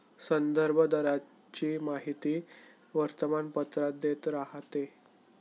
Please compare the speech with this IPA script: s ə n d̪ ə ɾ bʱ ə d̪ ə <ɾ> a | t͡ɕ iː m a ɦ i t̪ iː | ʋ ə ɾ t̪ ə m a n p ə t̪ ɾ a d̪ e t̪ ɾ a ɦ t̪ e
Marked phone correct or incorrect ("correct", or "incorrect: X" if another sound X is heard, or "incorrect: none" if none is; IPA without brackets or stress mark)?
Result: correct